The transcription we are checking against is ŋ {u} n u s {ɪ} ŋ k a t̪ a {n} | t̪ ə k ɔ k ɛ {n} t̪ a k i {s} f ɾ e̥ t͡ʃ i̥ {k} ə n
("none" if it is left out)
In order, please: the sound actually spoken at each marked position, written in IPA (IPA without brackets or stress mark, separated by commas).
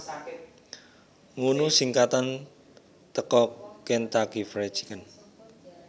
u, i, n, n, none, k